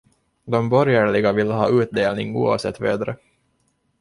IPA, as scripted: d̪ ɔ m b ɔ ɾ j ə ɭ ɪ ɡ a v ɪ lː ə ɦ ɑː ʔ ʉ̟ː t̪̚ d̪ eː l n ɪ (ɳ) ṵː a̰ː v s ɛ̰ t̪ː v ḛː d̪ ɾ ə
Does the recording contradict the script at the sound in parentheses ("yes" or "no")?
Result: yes